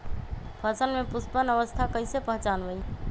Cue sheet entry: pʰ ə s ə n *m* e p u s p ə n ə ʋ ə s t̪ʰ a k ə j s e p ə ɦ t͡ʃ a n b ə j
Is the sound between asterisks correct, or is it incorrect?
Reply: correct